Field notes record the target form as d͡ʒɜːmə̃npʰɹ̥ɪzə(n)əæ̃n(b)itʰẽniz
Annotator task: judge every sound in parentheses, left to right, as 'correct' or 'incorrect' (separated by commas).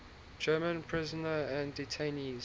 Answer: correct, incorrect